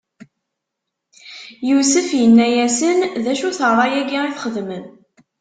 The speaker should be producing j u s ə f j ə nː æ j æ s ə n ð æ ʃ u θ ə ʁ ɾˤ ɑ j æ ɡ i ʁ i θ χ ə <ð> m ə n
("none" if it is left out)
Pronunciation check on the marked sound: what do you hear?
ð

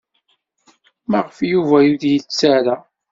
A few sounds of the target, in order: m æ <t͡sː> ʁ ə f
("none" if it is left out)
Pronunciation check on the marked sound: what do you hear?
none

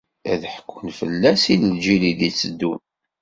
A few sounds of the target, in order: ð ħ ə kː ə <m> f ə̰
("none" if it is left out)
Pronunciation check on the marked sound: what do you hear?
n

